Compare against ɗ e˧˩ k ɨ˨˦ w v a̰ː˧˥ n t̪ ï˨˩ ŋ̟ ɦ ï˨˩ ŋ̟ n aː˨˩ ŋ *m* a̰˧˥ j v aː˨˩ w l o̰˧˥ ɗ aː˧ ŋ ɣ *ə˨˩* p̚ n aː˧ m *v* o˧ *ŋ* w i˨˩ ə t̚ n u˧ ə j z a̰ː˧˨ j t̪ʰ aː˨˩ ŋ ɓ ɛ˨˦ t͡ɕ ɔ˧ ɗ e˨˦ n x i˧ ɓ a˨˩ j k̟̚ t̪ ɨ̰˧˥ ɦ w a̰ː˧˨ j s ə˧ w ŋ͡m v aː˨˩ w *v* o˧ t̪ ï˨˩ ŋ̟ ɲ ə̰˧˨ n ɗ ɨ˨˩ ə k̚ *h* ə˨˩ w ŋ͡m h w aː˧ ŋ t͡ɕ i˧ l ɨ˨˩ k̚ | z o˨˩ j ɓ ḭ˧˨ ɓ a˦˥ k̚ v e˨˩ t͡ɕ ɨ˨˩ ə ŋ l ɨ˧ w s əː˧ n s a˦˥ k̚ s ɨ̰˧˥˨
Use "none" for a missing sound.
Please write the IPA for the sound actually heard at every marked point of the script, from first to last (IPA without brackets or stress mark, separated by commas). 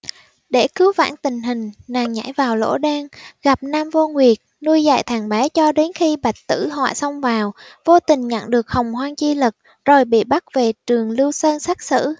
ɲ, a˨˩, v, ŋ, v, h